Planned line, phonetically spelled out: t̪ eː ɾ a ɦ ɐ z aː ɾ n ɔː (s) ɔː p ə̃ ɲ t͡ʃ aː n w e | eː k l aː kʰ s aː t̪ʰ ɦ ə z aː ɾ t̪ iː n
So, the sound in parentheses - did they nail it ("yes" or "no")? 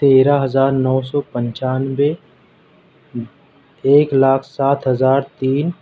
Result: yes